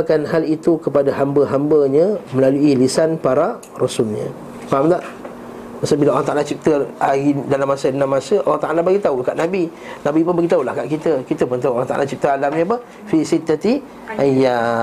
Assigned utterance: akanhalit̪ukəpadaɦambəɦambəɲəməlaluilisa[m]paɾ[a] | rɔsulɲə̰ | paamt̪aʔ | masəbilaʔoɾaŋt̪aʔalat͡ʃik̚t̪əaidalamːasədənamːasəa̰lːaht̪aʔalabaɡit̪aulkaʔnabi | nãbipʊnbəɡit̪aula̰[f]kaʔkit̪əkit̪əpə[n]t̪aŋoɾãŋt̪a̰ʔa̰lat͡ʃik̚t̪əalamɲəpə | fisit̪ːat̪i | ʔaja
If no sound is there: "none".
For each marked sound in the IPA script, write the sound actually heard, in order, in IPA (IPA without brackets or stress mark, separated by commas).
n, a, h, n